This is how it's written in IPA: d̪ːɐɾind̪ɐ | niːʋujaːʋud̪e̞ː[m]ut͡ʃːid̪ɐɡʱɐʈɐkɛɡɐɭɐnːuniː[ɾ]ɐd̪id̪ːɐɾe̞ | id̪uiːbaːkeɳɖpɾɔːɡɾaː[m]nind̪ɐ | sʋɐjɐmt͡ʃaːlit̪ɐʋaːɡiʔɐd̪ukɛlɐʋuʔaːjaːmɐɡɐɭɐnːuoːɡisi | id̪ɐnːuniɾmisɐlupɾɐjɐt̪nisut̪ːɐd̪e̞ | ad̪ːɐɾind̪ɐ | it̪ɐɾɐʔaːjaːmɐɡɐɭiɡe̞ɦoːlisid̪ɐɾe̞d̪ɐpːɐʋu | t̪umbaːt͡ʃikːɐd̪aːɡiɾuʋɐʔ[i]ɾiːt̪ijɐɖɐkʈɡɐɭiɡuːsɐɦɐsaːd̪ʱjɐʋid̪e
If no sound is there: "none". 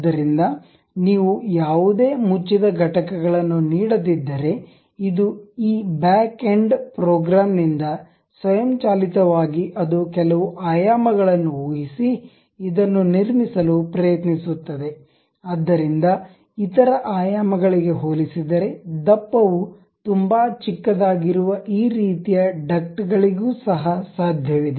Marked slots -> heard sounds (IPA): m, ɽ, m, iː

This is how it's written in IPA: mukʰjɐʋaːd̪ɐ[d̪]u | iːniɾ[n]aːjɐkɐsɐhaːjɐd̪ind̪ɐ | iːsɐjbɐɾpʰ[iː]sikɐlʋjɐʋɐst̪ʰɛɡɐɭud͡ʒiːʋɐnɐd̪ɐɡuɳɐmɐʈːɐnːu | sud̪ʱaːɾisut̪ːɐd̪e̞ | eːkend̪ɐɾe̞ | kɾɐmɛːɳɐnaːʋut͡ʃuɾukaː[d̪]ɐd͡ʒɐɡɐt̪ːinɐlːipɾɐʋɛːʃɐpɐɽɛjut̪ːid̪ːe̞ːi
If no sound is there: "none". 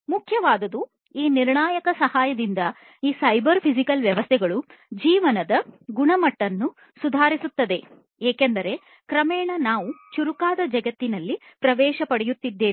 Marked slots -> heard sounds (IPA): d̪, ɳ, i, d̪

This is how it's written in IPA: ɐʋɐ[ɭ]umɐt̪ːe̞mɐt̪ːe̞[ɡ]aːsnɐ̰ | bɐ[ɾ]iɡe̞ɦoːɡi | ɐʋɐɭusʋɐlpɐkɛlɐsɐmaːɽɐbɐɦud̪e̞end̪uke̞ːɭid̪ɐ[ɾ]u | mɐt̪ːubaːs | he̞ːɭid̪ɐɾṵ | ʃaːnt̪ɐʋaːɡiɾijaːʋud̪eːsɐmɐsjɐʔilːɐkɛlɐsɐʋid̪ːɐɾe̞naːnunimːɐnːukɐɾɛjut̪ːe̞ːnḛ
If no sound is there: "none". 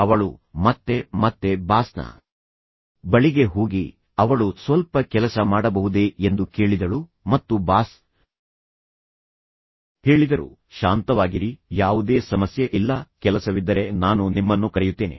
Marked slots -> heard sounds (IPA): ɭ, b, ɭ, ɭ

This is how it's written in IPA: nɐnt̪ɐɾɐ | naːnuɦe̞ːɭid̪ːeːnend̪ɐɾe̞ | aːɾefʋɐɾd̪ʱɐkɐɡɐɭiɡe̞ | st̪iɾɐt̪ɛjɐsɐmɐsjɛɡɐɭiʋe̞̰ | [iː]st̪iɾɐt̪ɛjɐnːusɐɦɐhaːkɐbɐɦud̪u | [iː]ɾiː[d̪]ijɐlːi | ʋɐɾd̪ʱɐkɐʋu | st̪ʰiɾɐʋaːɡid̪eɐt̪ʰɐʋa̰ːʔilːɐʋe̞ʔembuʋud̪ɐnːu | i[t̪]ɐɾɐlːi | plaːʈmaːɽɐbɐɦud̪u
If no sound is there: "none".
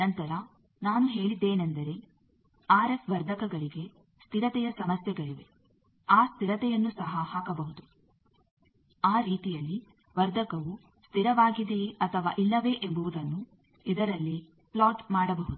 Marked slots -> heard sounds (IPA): aː, aː, t̪, d̪

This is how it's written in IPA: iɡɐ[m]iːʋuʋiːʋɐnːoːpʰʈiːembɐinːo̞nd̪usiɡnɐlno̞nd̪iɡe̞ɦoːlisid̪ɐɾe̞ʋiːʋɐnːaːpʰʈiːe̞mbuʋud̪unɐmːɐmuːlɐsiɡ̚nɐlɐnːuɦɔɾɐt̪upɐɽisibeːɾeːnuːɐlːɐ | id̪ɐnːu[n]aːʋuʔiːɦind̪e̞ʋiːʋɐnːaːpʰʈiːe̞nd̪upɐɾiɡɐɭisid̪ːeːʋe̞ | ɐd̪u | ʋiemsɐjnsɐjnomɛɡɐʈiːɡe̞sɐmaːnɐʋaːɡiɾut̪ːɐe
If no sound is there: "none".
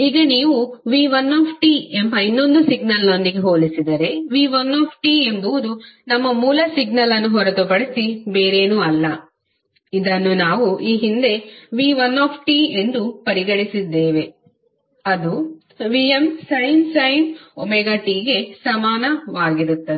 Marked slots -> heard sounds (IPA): n, n

